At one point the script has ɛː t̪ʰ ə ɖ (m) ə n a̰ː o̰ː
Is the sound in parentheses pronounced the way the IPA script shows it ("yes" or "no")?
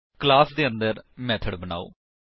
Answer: no